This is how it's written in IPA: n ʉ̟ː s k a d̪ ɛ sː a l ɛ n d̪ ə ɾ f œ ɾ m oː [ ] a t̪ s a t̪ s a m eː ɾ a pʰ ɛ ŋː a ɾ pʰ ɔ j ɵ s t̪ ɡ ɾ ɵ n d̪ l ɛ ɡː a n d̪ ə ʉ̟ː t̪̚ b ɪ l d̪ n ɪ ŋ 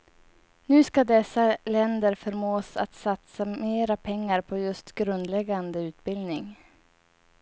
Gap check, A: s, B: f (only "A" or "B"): A